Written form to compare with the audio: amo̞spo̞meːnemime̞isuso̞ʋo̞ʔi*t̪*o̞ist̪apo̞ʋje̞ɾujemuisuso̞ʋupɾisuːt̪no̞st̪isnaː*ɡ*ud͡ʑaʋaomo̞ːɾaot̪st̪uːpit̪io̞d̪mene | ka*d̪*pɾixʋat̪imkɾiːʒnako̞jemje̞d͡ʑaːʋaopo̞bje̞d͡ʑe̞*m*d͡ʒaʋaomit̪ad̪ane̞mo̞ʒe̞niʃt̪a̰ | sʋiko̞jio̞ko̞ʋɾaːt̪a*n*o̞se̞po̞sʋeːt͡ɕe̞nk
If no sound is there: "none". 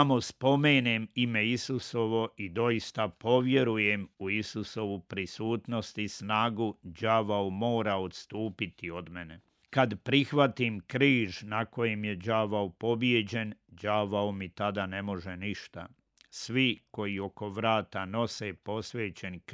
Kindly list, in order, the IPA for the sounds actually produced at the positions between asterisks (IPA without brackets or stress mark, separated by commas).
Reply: d̪, ɡ, d̪, n, n